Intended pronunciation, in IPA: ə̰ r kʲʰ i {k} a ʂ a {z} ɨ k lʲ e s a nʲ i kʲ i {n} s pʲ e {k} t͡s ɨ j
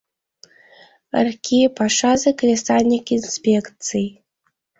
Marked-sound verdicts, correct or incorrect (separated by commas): incorrect, correct, correct, correct